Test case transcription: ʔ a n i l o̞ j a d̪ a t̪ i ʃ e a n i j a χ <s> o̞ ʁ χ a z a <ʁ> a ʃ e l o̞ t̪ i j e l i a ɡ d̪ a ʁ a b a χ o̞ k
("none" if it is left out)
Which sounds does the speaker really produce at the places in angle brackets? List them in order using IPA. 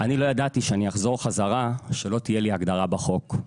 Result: z, ʁ

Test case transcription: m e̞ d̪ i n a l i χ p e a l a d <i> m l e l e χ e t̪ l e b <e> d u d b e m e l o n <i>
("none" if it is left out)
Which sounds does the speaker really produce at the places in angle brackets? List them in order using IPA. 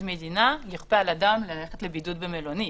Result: a, i, i

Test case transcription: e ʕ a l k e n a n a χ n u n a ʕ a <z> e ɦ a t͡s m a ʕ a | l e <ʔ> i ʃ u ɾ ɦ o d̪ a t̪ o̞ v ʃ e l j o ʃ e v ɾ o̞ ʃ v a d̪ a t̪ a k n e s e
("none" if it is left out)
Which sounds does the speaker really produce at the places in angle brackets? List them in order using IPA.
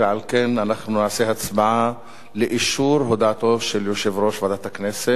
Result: s, ʔ

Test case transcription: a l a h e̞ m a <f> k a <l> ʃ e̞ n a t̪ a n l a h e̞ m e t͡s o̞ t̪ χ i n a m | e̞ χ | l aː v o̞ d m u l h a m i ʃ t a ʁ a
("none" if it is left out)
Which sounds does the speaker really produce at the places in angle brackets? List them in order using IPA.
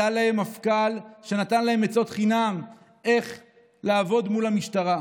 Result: f, l

